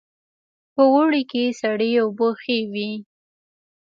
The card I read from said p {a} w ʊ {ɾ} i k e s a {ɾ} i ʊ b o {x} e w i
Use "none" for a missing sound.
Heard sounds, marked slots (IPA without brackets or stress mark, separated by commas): ə, ɽ, ɽ, x